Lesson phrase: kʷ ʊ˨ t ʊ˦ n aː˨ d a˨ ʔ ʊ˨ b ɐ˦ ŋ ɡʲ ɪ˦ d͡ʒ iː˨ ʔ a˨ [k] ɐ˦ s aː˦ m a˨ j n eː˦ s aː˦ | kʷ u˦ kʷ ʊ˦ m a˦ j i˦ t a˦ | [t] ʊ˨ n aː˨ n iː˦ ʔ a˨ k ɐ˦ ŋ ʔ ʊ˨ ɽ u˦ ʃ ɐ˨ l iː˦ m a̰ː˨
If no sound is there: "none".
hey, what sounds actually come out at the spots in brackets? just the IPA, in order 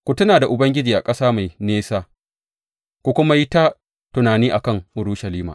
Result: kʼ, t

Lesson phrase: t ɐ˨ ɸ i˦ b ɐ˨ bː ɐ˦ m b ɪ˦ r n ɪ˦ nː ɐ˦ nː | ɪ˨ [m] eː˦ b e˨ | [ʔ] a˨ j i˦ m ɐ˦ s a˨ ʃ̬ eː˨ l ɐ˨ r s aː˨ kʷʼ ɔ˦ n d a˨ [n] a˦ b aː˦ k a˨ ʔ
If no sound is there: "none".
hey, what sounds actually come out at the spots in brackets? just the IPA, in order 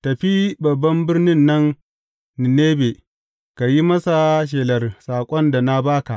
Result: n, k, n

